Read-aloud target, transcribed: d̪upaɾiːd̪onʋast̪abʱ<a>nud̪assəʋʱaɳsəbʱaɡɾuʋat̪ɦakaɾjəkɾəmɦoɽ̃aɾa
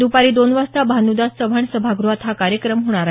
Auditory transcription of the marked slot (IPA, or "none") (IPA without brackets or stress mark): a